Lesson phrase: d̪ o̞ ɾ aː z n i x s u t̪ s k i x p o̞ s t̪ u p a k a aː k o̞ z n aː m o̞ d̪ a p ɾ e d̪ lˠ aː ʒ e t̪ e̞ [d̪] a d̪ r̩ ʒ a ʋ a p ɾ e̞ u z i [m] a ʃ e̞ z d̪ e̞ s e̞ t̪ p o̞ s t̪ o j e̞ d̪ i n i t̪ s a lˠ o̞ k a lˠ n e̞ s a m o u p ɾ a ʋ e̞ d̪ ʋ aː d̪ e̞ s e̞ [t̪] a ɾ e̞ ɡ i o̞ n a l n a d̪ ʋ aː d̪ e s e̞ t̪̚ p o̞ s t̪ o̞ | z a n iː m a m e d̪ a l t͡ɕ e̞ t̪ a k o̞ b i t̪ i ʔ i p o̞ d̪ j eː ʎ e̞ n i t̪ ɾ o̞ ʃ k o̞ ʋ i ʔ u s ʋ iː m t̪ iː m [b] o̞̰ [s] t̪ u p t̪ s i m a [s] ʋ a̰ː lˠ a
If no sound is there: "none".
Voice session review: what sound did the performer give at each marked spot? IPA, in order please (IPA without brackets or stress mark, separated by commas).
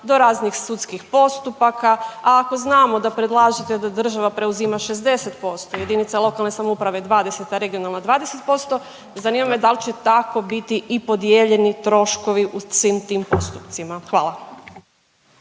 d̪, m, t̪, p, s, x